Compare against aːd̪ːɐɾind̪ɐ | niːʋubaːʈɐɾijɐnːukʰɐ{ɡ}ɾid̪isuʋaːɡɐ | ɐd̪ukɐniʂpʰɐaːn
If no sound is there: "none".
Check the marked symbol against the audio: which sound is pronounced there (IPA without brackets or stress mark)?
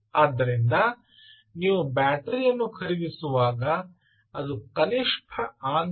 none